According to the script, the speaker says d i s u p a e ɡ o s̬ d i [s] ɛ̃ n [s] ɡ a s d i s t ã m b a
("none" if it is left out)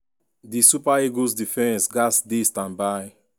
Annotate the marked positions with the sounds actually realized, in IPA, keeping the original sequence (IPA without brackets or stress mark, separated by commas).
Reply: f, s